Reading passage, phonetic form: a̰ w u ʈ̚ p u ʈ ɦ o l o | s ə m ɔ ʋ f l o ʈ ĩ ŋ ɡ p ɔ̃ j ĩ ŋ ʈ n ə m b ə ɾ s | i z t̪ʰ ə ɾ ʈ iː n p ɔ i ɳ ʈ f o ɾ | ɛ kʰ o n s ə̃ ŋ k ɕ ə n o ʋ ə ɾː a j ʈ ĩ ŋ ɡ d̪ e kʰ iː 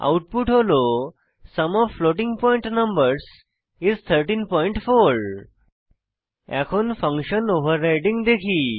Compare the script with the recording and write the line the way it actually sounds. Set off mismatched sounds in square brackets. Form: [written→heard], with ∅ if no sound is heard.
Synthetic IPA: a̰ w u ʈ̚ p u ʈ ɦ o l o | s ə m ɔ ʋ f l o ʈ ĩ ŋ ɡ p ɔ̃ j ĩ [ŋ→ɳ] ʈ n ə m b ə ɾ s | i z t̪ʰ ə ɾ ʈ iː n p ɔ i ɳ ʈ f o ɾ | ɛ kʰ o n [s→f] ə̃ ŋ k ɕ ə n o ʋ ə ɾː a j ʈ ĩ ŋ ɡ d̪ e kʰ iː